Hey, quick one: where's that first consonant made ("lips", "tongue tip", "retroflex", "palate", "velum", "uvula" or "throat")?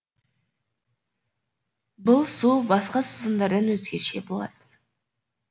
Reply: lips